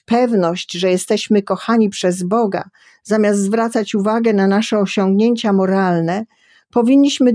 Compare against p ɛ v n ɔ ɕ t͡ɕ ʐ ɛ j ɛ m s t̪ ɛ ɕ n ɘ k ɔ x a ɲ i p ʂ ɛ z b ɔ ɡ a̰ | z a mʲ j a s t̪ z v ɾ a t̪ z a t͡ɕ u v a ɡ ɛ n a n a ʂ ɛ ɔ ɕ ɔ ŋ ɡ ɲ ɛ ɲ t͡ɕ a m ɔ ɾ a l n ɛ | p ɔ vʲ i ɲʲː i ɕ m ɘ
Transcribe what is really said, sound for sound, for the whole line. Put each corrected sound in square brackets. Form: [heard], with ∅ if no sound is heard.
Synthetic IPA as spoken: p ɛ v n ɔ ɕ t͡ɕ ʐ ɛ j ɛ [∅] s t̪ ɛ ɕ [m] ɘ k ɔ x a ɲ i p ʂ ɛ z b ɔ ɡ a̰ | z a mʲ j a s t̪ z v ɾ a t̪ [s] a t͡ɕ u v a ɡ ɛ n a n a ʂ ɛ ɔ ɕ ɔ ŋ ɡ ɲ [e] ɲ t͡ɕ a m ɔ ɾ a l n ɛ | p ɔ vʲ i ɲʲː i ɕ m ɘ